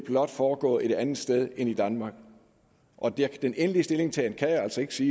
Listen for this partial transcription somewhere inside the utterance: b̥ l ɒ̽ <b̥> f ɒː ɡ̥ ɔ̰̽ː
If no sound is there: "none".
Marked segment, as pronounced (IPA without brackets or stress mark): d̥